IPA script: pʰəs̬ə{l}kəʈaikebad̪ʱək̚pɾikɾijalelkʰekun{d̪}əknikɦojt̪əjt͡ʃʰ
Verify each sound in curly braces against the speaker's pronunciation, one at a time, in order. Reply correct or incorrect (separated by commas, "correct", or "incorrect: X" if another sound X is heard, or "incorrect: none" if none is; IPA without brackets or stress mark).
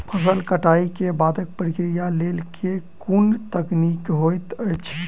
correct, incorrect: t̪